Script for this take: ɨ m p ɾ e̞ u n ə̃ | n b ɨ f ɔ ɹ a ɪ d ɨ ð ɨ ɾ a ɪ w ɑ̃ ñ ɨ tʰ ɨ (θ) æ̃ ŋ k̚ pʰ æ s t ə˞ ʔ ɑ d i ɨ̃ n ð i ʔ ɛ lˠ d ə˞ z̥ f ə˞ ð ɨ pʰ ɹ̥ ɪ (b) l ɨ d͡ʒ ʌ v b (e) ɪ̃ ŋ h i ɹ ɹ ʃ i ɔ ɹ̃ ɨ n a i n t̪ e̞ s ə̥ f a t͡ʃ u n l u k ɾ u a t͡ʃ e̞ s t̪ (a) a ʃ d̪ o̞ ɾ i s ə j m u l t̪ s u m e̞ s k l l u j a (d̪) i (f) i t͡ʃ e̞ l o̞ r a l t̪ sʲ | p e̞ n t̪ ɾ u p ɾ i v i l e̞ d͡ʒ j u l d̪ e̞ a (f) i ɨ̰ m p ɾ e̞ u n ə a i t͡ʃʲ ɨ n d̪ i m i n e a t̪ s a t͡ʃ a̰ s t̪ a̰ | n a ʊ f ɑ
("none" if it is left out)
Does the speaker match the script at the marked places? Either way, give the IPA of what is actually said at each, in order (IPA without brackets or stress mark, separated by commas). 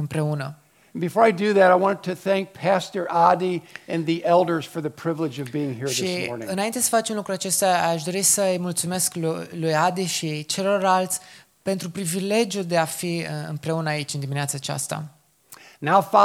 θ, v, i, a, d̪, ʃ, f